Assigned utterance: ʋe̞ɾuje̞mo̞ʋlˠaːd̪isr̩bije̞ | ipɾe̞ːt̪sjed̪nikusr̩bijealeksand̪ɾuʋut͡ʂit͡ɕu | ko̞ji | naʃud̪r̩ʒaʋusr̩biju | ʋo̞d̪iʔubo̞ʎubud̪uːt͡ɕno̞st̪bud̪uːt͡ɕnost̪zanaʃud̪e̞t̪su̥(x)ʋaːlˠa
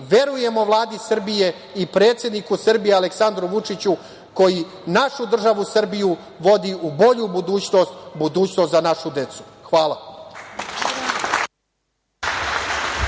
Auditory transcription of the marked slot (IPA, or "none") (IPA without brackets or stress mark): x